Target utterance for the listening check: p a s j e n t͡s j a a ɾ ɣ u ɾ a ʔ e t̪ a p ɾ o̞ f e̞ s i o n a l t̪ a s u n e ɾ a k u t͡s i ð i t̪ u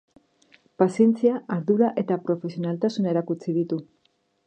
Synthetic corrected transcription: p a s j e n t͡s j a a ɾ ð u ɾ a ʔ e t̪ a p ɾ o̞ f e̞ s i o n a l t̪ a s u n e ɾ a k u t͡s i ð i t̪ u

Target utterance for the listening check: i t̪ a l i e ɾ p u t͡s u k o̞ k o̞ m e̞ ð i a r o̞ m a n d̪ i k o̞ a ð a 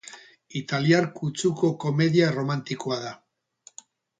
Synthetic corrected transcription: i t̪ a l i a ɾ k u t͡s u k o̞ k o̞ m e̞ ð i a r o̞ m a n t̪ i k o̞ a ð a

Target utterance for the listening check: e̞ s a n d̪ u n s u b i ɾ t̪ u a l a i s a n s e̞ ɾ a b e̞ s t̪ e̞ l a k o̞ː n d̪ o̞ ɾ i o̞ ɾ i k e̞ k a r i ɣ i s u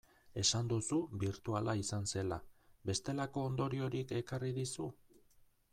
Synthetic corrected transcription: e̞ s a n d̪ u s u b i ɾ t̪ u a l a i s a n s e̞ l a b e̞ s t̪ e̞ l a k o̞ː n d̪ o̞ ɾ i o̞ ɾ i k e̞ k a r i ð i s u

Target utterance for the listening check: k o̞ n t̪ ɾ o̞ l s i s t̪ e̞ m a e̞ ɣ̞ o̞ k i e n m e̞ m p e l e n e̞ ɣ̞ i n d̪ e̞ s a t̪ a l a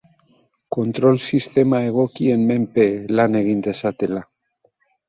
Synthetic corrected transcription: k o̞ n t̪ ɾ o̞ l s i s t̪ e̞ m a e̞ ɣ̞ o̞ k i e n m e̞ m p e l a n e̞ ɣ̞ i n d̪ e̞ s a t̪ e l a

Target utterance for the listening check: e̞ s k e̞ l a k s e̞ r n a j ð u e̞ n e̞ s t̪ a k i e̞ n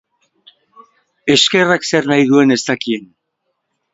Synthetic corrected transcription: e̞ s k e̞ r a k s e̞ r n a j ð u e̞ n e̞ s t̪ a k i e̞ n

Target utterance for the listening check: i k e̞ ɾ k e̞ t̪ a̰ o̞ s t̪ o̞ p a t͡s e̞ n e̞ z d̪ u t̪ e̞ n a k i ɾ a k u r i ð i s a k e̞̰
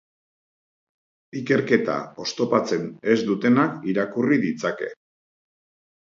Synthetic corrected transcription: i k e̞ ɾ k e̞ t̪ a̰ o̞ s t̪ o̞ p a t͡s e̞ n e̞ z d̪ u t̪ e̞ n a k i ɾ a k u r i ð i t͡s a k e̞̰

